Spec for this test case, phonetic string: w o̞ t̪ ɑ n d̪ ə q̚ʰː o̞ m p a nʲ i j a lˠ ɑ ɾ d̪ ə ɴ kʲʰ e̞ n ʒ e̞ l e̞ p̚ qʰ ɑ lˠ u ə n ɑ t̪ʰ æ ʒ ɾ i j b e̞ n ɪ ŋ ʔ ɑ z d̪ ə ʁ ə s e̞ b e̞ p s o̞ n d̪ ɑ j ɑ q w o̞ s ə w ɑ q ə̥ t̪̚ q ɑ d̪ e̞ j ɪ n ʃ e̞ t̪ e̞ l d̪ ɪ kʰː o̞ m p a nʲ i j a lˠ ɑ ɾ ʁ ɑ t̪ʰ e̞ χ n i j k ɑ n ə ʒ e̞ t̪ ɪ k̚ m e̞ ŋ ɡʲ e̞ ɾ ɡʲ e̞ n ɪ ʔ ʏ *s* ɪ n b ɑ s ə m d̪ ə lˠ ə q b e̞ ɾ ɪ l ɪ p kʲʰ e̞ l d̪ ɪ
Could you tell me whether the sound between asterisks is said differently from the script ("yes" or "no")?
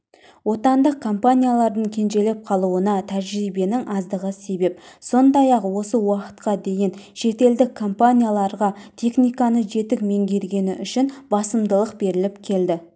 yes